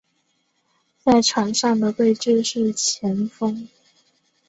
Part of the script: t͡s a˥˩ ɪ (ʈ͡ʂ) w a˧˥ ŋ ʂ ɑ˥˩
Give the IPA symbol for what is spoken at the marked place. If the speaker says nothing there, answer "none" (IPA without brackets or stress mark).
ʈ͡ʂʰ